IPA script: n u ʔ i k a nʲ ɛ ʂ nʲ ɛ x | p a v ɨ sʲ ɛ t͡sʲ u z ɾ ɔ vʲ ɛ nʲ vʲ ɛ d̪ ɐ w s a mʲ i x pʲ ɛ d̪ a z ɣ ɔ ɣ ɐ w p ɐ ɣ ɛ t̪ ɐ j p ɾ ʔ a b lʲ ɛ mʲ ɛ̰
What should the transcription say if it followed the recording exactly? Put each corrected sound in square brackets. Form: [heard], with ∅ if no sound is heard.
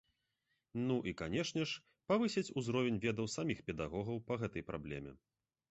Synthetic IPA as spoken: n u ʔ i k a nʲ ɛ ʂ nʲ ɛ [ʂ] | p a v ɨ sʲ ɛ t͡sʲ u z ɾ ɔ vʲ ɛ nʲ vʲ ɛ d̪ ɐ w s a mʲ i x pʲ ɛ d̪ a [∅] ɣ ɔ ɣ ɐ w p ɐ ɣ ɛ t̪ ɐ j p ɾ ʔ a b lʲ ɛ mʲ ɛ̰